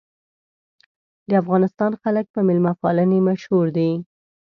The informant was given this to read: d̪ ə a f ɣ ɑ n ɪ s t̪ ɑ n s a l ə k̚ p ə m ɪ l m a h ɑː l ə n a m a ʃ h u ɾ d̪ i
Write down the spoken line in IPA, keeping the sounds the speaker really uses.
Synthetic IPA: d̪ ə a f ɣ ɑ n ɪ s t̪ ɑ n x a l ə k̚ p ə m ɪ l m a f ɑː l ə n e m a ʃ h u ɾ d̪ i